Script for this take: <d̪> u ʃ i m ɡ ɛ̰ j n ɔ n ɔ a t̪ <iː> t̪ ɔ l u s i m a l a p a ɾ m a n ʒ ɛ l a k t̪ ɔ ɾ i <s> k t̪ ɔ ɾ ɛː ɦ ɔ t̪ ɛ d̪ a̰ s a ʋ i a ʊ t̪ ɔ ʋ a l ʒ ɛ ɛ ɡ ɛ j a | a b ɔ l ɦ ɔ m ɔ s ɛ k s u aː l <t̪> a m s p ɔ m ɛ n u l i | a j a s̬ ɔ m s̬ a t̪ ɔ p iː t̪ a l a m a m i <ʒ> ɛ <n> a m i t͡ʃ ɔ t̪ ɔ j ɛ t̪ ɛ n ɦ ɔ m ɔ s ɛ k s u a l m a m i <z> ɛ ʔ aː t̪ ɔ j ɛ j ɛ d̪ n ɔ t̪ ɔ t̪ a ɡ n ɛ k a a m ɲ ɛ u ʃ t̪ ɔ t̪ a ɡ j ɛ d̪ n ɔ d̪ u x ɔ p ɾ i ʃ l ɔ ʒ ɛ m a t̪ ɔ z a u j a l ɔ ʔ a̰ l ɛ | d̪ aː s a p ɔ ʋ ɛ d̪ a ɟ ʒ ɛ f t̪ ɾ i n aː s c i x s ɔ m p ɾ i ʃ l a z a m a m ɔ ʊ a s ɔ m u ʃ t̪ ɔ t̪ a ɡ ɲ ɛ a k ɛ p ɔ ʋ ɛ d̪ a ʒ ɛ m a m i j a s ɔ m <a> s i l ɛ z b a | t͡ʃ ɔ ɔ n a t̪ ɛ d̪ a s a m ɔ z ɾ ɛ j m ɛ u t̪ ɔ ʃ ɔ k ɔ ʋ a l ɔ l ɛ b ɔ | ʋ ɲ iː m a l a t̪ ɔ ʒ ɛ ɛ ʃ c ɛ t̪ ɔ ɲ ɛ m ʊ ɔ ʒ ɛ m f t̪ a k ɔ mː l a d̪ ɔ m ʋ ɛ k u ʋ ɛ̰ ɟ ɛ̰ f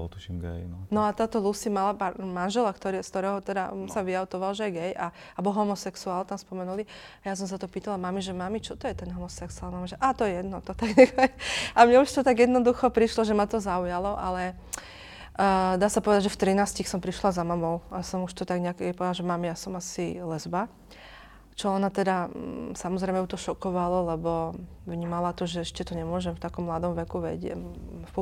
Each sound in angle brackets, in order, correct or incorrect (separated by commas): incorrect, incorrect, correct, correct, correct, incorrect, incorrect, correct